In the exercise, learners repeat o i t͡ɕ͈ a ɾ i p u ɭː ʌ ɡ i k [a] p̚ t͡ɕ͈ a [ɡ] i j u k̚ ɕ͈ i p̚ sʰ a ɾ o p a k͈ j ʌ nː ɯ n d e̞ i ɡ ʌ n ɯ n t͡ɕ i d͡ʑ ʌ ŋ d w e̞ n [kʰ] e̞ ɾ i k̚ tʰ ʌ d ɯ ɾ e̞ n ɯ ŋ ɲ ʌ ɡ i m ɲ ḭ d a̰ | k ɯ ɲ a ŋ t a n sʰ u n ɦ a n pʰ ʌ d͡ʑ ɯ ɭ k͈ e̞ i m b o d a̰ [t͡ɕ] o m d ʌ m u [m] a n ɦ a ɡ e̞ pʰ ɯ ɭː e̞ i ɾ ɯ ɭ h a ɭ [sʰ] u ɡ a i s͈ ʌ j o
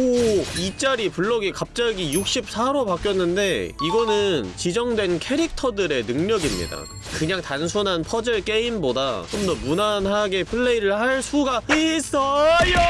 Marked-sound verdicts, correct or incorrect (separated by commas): correct, correct, correct, correct, incorrect, correct